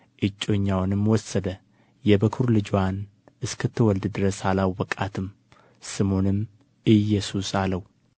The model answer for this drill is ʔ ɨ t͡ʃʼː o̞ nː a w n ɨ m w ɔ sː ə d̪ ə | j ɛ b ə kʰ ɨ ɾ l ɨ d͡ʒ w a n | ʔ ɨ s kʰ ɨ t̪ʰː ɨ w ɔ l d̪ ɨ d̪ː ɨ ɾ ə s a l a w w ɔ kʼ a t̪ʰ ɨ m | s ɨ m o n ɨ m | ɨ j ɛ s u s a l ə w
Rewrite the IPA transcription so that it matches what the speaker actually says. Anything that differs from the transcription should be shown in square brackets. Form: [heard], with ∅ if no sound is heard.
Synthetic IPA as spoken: ʔ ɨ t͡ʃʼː o̞ [ɲː] a w n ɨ m w ɔ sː ə d̪ ə | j ɛ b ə kʰ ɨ ɾ l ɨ d͡ʒ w a n | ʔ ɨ s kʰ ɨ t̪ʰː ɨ w ɔ l d̪ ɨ [d̪] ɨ ɾ ə s a l a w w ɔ kʼ a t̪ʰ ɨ m | s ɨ m o n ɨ m | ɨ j ɛ s u s a l ə w